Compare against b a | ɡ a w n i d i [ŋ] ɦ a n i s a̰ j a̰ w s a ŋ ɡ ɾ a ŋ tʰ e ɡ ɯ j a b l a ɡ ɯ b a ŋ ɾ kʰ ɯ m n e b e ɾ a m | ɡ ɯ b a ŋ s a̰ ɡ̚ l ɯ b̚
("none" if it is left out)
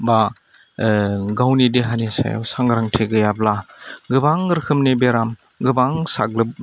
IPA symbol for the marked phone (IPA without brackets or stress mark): none